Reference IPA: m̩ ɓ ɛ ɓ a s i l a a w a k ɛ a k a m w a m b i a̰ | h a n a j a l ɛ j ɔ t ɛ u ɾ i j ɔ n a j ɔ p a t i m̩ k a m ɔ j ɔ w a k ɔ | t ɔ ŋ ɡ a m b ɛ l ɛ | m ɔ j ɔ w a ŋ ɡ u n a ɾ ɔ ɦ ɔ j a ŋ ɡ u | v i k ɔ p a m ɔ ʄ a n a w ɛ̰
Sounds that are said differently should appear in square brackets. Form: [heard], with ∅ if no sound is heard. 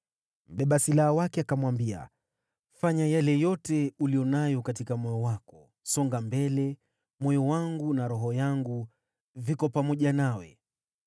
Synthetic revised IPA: m̩ ɓ ɛ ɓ a s i l a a w a k ɛ a k a m w a m b i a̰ | [f] a [ɲ] a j a l ɛ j ɔ t ɛ u [l] i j ɔ n a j ɔ [k] a t i [∅] k a m ɔ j ɔ w a k ɔ | [s] ɔ ŋ ɡ a m b ɛ l ɛ | m ɔ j ɔ w a ŋ ɡ u n a ɾ ɔ ɦ ɔ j a ŋ ɡ u | v i k ɔ p a m ɔ ʄ a n a w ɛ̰